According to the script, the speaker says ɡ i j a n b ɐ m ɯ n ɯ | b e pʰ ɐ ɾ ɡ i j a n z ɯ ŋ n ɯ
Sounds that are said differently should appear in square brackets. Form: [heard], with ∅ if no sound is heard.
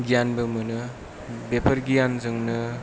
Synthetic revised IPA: ɡ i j a n b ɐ m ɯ n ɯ | b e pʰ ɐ ɾ ɡ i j a n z ɯ ŋ n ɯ